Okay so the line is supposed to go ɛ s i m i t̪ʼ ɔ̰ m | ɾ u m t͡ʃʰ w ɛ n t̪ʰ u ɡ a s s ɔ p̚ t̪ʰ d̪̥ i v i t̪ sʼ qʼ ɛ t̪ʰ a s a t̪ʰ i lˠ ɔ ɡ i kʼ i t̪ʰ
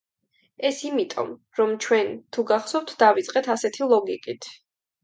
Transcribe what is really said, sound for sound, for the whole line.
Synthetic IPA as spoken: ɛ s i m i t̪ʼ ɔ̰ m | ɾ ɔ m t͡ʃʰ w ɛ n t̪ʰ u ɡ a χ s ɔ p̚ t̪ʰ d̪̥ a v i t̪ sʼ qʼ ɛ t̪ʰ a s ɛ t̪ʰ i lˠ ɔ ɡ i kʼ i t̪ʰ